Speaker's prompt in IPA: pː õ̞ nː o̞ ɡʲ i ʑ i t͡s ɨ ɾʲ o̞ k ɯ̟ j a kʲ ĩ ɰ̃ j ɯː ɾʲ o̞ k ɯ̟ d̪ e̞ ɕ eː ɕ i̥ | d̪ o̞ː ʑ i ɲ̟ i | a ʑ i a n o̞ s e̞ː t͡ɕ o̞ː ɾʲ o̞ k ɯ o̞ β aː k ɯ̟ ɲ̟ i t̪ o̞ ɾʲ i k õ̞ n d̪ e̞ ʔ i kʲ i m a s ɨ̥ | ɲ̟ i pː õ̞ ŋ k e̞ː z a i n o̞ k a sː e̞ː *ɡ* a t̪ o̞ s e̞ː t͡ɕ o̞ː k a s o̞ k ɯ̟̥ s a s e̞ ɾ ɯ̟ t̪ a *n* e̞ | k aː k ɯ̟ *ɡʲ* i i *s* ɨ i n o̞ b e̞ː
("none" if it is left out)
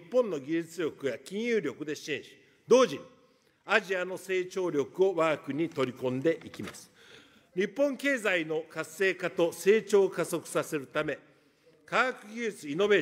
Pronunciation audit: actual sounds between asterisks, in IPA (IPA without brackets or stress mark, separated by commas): k, m, ɡʲ, t͡s